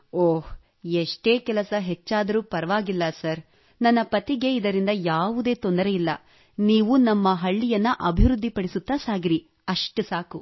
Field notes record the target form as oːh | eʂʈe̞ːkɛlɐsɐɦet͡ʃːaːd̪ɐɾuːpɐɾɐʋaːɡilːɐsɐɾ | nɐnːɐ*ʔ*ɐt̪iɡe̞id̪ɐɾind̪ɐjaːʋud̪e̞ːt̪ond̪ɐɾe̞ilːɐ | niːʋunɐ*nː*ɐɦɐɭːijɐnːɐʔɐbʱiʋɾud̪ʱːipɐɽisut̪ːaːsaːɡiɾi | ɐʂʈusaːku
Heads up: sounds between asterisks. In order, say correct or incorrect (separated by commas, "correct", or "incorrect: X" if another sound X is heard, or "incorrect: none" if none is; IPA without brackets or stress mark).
incorrect: p, incorrect: mː